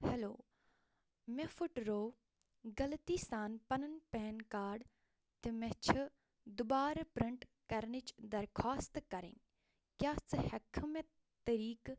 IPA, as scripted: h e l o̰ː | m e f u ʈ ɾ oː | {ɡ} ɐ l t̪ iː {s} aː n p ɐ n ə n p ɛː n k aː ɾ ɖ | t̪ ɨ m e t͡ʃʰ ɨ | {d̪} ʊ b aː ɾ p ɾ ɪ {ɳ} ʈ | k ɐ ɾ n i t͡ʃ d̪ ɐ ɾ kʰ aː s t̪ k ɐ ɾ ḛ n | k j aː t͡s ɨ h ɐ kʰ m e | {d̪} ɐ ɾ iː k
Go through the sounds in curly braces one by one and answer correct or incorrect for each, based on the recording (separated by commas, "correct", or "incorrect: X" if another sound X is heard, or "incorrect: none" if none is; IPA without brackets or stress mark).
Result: correct, correct, correct, correct, incorrect: t̪